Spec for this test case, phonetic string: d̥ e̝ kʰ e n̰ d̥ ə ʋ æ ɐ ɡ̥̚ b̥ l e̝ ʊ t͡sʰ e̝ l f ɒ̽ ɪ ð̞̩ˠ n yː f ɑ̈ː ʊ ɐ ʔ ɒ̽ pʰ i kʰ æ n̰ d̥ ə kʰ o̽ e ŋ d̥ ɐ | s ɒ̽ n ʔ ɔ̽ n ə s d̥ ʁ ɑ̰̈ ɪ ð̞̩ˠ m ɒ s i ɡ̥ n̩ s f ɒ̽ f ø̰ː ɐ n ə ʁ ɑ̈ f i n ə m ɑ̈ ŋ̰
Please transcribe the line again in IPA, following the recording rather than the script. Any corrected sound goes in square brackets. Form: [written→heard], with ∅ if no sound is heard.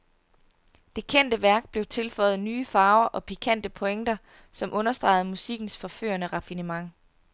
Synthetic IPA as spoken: d̥ e̝ kʰ e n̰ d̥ ə ʋ æ ɐ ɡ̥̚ b̥ l e̝ ʊ t͡sʰ e̝ l f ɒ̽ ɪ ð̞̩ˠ n yː f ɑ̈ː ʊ ɐ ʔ ɒ̽ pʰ i kʰ æ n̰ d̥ ə [kʰ→pʰ] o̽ e ŋ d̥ ɐ | s ɒ̽ [n→m] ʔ ɔ̽ n [ə→ɐ] s d̥ ʁ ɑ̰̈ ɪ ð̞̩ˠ m [ɒ→u] s i ɡ̥ n̩ s f ɒ̽ f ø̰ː ɐ n ə ʁ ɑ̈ f i n ə m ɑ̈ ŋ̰